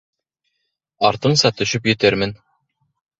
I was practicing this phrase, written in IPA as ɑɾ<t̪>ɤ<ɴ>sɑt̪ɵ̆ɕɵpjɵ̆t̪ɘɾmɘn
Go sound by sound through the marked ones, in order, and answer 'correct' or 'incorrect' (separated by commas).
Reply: correct, correct